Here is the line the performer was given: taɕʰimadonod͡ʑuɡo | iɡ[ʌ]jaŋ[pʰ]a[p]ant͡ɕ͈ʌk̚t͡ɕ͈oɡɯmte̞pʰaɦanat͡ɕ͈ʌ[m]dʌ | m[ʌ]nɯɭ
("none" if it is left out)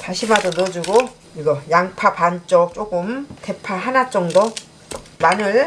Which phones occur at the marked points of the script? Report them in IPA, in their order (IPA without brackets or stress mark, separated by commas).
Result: ʌ, pʰ, p, ŋ, a